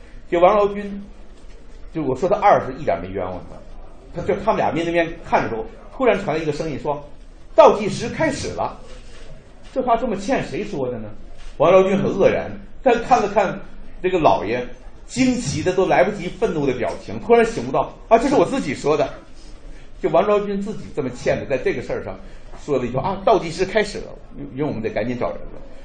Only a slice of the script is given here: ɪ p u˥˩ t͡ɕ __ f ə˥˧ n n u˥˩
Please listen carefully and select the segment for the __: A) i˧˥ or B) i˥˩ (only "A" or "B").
A